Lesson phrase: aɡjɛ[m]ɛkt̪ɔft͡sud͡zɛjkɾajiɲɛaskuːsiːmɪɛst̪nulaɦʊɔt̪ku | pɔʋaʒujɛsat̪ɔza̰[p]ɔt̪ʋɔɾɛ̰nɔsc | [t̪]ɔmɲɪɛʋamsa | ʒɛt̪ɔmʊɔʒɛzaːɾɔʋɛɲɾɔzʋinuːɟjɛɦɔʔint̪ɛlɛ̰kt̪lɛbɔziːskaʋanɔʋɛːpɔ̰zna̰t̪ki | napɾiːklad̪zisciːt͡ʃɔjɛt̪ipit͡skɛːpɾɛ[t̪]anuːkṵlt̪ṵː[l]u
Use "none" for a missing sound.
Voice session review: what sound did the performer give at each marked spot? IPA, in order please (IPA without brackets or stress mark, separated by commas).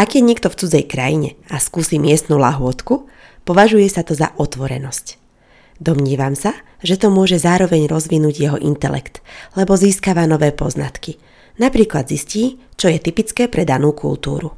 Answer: ɲ, ʔ, d̪, d̪, ɾ